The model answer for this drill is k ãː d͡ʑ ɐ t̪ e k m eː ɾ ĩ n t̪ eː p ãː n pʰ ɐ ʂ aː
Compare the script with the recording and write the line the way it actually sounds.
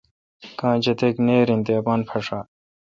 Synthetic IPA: k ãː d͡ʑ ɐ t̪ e k n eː ɾ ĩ n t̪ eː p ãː n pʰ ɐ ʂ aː